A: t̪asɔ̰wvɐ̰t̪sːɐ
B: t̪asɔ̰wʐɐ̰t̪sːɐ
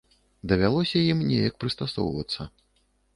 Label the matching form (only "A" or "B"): A